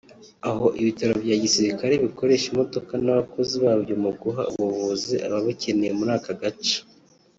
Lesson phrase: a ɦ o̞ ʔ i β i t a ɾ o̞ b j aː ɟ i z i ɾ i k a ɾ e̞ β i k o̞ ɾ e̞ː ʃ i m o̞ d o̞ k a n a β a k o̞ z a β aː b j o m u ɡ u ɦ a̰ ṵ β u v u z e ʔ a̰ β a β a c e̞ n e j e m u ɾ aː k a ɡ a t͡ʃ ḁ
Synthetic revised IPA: a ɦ o̞ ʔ i β i t a ɾ o̞ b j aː ɟ i s i ɾ i k a ɾ e̞ β i k o̞ ɾ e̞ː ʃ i m o̞ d o̞ k a n a β a k o̞ z i β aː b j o m u ɡ u ɦ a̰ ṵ β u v u z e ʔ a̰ β a β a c e̞ n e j e m u ɾ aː k a ɡ a t͡ʃ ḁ